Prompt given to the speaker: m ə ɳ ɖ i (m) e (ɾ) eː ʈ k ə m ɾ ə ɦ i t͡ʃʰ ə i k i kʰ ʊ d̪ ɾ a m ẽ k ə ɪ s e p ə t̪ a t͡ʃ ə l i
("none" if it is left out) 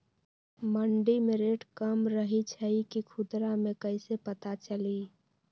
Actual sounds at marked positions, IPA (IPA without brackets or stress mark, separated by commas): m, ɾ